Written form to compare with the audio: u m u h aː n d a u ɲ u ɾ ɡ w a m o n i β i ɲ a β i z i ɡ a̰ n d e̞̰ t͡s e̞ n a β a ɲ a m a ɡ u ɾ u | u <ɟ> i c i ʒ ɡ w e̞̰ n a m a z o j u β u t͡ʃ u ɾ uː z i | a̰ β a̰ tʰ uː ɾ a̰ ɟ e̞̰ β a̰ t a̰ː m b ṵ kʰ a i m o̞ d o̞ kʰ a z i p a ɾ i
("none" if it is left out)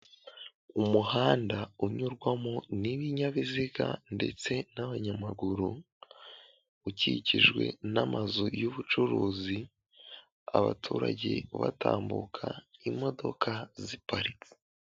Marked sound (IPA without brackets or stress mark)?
c